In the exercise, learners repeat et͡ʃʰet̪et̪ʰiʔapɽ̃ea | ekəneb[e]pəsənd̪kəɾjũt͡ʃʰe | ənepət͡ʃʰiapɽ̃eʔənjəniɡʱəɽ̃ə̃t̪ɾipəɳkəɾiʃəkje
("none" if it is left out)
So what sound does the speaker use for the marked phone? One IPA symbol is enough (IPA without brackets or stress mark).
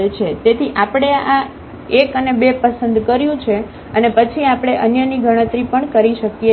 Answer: e